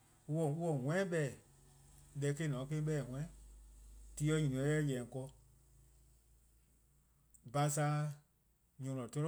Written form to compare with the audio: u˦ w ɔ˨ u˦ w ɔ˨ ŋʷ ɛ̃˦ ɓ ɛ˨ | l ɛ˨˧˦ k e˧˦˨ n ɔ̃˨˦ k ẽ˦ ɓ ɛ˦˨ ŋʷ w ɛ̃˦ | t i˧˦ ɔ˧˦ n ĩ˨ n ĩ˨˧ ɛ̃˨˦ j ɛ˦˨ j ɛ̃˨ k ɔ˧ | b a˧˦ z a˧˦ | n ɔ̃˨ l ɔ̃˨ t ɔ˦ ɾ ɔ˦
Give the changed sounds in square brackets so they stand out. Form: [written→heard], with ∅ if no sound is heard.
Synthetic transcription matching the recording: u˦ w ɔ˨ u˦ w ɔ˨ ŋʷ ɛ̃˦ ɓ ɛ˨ | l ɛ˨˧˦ k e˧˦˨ n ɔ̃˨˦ k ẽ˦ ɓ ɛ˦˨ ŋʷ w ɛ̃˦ | t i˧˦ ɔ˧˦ [n→ɲ] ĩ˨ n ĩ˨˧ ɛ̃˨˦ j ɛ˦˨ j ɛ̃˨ k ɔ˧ | b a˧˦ [z→s] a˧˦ | [n→ɲ] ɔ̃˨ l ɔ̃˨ t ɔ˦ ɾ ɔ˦